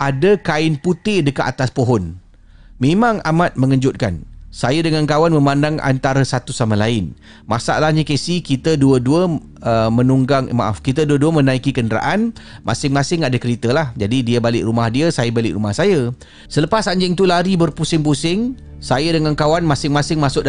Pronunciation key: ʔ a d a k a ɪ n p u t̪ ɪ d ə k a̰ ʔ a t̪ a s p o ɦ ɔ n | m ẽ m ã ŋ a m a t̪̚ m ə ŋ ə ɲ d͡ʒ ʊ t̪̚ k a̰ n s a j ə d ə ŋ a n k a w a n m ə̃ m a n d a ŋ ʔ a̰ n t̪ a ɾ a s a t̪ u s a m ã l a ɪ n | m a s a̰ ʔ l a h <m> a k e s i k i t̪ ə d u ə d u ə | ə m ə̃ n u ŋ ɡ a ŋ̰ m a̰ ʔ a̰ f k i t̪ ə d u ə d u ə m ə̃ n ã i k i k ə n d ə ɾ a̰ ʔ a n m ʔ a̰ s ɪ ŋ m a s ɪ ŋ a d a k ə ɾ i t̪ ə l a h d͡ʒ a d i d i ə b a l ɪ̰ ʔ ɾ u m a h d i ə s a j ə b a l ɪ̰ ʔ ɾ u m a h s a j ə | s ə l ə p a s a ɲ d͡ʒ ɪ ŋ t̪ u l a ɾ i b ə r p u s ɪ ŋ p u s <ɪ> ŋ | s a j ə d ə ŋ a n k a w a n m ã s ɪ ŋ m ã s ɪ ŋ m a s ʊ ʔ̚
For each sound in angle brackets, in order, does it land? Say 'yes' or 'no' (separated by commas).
no, yes